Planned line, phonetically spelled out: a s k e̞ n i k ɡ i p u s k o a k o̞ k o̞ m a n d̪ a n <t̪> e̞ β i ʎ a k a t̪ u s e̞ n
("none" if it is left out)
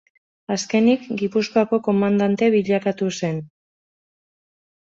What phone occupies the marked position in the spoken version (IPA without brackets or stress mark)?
t̪